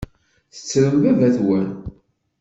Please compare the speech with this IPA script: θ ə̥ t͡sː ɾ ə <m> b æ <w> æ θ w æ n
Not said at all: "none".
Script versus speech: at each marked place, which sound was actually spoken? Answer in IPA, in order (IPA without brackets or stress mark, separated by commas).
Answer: m, v